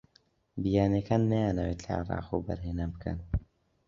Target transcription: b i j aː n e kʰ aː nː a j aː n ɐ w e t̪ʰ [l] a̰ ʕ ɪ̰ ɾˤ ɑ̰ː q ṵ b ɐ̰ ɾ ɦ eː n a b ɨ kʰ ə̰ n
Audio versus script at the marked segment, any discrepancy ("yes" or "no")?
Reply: no